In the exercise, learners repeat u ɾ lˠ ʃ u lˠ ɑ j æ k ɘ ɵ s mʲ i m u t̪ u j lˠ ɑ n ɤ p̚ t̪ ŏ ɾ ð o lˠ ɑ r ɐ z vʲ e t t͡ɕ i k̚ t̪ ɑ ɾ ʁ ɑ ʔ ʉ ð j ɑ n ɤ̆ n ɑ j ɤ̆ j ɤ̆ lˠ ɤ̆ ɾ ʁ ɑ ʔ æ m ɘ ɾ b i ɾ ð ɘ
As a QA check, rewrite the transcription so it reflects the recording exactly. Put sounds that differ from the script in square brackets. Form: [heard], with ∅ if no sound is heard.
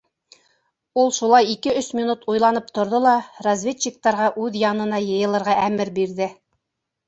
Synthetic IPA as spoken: u [∅] lˠ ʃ u lˠ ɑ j [i] k ɘ ɵ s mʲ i [n] u t̪ u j lˠ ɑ n ɤ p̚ t̪ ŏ ɾ ð o lˠ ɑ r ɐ z vʲ e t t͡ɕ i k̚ t̪ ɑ ɾ ʁ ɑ ʔ ʉ ð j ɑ n ɤ̆ n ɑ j ɤ̆ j ɤ̆ lˠ ɤ̆ ɾ ʁ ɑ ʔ æ m ɘ ɾ b i ɾ ð ɘ